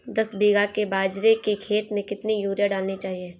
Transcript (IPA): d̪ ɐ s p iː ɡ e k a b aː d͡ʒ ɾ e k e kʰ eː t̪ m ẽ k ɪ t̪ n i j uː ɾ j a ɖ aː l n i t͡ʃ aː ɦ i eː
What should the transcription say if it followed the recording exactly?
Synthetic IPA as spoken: d̪ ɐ s b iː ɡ a k e b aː d͡ʒ ɾ e k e kʰ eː t̪ m ẽ k ɪ t̪ n i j uː ɾ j a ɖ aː l n i t͡ʃ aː ɦ i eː